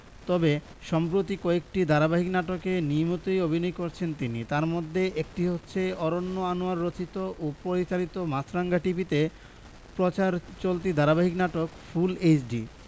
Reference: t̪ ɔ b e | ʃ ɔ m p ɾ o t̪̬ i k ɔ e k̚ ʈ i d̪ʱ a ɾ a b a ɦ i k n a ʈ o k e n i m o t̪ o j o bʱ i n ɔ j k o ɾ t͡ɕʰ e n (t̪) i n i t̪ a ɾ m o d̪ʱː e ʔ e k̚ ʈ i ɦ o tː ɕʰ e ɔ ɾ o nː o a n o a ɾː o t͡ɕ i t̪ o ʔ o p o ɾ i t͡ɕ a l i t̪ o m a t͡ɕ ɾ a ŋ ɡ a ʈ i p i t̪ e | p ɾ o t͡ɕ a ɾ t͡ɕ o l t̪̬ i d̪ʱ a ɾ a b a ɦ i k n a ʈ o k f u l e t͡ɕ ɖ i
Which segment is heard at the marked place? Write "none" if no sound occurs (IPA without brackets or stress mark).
t̪